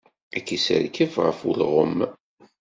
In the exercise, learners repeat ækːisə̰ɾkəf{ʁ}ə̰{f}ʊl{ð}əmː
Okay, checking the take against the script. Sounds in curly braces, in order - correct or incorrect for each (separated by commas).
correct, correct, incorrect